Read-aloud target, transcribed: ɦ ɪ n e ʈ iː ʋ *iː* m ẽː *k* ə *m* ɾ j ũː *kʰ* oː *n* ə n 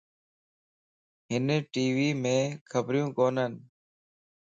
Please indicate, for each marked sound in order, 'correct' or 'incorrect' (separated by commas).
correct, incorrect, incorrect, incorrect, correct